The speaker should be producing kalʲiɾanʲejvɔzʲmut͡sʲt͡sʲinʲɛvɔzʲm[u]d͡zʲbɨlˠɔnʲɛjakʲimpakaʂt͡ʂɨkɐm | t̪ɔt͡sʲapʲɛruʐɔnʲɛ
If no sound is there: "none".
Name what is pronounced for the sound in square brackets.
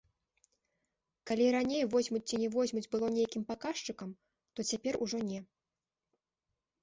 u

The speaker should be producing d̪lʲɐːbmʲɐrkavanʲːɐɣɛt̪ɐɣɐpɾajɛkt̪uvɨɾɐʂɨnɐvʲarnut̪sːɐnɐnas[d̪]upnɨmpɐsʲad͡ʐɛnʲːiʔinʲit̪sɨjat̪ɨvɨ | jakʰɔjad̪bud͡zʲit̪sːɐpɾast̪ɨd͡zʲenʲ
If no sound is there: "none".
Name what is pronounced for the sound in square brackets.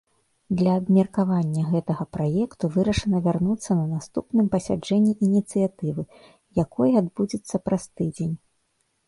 t̪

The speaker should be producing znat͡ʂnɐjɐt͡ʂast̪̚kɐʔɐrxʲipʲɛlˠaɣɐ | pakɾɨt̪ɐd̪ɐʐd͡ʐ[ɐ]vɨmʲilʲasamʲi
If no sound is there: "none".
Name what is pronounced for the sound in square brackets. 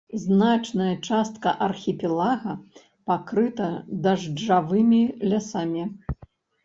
a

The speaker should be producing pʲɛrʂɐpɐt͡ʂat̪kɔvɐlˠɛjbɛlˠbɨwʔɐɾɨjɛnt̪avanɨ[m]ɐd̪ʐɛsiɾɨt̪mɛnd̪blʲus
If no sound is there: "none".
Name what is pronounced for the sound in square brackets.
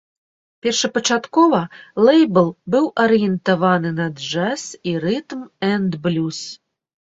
n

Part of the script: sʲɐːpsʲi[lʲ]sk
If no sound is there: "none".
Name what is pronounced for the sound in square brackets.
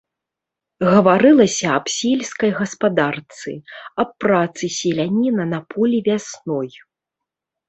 lʲ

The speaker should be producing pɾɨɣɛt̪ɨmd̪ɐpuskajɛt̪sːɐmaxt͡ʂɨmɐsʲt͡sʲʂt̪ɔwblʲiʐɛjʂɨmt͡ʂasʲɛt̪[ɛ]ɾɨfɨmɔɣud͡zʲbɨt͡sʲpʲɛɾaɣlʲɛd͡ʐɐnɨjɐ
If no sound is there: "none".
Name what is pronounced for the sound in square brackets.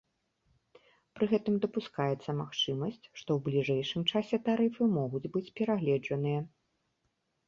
a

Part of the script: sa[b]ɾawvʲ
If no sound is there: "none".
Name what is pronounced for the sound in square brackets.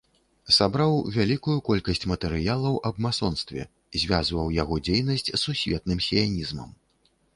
b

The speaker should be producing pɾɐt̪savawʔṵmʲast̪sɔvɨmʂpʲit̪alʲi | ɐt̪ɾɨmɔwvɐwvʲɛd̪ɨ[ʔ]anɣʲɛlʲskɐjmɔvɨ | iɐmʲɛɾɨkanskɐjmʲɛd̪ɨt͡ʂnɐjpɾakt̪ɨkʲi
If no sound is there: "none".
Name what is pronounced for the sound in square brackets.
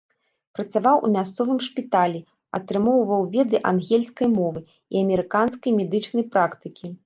ʔ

